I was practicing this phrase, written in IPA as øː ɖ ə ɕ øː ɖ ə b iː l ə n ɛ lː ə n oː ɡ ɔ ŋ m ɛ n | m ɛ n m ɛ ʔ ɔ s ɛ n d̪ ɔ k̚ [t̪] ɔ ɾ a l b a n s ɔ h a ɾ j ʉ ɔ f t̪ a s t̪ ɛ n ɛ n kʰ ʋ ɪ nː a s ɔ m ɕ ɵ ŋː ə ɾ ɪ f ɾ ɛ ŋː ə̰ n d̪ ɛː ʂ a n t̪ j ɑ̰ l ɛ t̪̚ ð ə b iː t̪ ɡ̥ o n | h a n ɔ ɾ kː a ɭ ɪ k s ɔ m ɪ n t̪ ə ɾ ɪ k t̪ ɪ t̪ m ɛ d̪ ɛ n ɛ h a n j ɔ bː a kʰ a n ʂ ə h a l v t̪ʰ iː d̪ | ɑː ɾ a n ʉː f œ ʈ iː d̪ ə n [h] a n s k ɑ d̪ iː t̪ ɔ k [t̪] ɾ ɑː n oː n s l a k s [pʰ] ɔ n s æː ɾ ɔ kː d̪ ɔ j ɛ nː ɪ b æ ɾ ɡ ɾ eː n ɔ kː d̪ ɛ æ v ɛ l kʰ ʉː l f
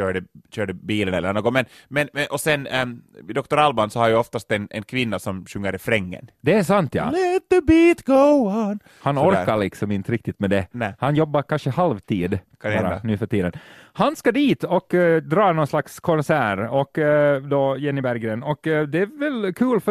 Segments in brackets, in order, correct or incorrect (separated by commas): correct, correct, incorrect, incorrect